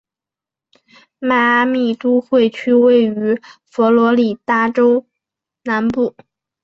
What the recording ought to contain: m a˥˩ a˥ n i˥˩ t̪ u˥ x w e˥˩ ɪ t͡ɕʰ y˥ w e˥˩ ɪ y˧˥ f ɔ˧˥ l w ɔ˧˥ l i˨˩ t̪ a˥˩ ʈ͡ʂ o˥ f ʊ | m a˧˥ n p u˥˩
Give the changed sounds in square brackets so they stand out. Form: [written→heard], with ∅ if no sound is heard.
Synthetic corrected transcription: m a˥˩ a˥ [n→m] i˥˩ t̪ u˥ x w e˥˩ ɪ t͡ɕʰ y˥ w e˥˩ ɪ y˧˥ f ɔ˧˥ l w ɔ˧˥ l i˨˩ t̪ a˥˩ ʈ͡ʂ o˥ [f→∅] ʊ | [m→n] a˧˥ n p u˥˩

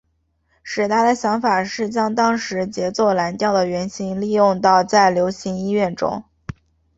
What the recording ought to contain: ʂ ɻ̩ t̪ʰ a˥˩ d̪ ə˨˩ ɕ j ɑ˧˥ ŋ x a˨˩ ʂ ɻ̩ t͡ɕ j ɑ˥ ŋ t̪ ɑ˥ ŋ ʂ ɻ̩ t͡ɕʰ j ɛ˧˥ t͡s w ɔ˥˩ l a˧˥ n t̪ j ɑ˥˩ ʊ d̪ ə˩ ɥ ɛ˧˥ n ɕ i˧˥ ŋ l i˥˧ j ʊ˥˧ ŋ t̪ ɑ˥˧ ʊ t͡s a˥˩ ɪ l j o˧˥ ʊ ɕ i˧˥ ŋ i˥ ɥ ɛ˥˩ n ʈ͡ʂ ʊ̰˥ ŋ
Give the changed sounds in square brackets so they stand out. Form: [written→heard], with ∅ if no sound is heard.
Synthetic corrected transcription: ʂ ɻ̩ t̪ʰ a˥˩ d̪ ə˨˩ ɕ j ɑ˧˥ ŋ [x→f] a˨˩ ʂ ɻ̩ t͡ɕ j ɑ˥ ŋ t̪ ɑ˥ ŋ ʂ ɻ̩ [t͡ɕʰ→t͡ɕ] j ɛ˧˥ t͡s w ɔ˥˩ l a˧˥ n t̪ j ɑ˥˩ ʊ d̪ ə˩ ɥ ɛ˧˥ n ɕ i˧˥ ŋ l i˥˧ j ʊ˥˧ ŋ t̪ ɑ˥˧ ʊ t͡s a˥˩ ɪ l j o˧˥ ʊ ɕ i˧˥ ŋ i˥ ɥ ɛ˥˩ n ʈ͡ʂ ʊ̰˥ ŋ

